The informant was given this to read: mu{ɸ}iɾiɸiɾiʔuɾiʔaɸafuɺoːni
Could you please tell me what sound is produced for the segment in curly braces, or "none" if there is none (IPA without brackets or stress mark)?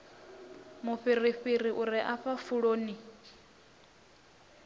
ɸ